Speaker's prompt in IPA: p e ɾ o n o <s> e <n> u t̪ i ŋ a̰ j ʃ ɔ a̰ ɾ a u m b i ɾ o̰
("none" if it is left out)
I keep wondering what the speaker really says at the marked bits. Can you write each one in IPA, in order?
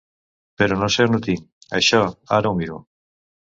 s, n

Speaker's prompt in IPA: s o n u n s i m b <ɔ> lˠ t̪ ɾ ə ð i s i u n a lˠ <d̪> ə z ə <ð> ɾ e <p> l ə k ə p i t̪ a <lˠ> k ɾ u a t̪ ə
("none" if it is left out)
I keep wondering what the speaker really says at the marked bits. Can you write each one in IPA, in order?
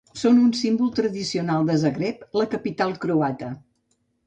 u, d̪, ɣ, p, lˠ

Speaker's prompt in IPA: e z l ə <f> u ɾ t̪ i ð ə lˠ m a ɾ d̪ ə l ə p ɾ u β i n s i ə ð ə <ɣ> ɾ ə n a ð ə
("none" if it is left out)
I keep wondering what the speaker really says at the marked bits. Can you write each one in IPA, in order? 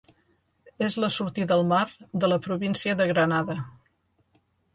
s, ɣ

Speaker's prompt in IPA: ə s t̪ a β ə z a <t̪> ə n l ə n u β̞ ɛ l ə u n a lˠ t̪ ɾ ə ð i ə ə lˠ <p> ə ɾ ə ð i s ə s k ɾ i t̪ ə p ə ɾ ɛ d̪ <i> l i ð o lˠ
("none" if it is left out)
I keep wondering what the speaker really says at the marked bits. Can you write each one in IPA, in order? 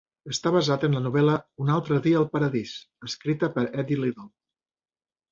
t̪, p, i

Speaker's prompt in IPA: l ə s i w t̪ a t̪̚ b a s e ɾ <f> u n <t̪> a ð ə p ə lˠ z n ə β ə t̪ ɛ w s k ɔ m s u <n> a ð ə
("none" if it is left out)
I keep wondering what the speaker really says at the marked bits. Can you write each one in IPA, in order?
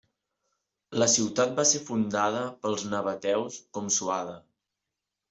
f, d̪, none

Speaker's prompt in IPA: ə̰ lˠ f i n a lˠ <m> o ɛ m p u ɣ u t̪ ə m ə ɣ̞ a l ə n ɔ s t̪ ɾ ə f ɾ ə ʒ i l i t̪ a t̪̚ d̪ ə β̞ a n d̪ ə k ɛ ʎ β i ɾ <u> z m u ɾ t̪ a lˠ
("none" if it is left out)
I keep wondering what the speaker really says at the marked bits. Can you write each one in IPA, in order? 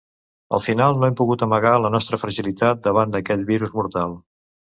n, u

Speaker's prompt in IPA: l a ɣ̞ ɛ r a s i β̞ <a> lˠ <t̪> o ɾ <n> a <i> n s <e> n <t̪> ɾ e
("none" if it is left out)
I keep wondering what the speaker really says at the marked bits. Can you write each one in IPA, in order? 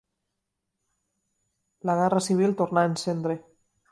i, t̪, n, e, e, d̪

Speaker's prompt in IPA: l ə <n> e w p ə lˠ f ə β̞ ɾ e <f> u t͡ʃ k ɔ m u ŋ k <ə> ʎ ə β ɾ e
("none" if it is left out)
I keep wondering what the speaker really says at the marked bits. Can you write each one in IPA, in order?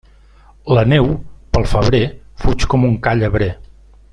n, f, a

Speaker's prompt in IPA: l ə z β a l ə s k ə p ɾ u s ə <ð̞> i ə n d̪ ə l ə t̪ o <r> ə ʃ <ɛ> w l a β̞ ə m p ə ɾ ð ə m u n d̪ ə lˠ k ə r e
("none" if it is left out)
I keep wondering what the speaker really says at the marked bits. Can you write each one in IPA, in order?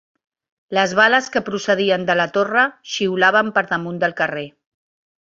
ð̞, r, i

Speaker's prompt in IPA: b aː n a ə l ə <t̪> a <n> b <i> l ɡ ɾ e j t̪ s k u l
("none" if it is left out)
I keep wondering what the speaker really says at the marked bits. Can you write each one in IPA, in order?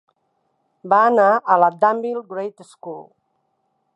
d̪, m, i

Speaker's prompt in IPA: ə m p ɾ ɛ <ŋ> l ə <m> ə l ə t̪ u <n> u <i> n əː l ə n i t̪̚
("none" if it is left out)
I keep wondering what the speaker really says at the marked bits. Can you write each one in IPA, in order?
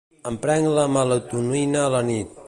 ŋ, m, n, i

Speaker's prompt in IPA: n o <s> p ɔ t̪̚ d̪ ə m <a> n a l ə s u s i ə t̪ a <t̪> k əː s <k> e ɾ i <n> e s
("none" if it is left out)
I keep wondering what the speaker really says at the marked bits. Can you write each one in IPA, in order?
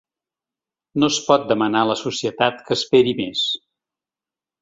s, ə, t̪, p, m

